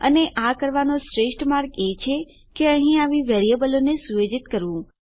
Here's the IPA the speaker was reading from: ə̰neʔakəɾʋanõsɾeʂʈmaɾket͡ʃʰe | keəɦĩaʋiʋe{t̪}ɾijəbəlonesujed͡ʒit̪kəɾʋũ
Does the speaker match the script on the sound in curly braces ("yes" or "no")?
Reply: no